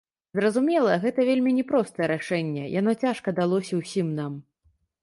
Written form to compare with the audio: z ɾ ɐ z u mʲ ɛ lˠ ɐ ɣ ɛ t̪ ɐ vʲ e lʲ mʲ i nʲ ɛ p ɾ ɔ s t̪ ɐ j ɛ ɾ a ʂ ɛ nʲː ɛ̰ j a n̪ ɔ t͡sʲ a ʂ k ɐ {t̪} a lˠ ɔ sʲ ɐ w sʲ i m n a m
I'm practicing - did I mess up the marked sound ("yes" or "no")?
yes